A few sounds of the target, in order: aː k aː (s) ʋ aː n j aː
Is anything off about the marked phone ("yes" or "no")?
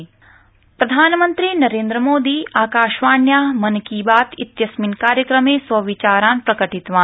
yes